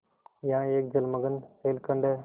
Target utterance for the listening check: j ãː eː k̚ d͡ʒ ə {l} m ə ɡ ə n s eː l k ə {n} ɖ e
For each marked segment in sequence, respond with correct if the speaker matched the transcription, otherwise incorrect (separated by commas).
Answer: correct, incorrect